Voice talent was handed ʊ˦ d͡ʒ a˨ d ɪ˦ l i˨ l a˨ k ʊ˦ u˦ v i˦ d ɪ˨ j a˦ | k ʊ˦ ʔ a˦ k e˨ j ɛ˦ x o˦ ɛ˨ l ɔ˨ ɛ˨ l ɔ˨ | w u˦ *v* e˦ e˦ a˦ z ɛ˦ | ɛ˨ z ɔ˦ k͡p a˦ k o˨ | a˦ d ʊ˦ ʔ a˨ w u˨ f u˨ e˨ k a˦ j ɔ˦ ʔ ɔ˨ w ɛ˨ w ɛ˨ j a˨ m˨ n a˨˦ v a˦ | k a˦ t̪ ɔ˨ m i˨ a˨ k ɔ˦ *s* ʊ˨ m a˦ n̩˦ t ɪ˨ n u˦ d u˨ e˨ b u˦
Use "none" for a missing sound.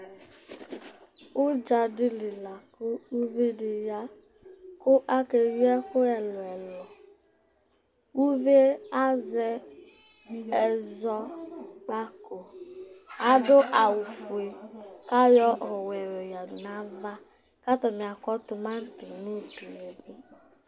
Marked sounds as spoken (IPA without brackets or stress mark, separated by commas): v, t